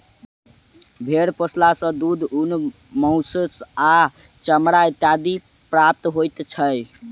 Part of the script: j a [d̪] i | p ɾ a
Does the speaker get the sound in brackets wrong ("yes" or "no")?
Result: no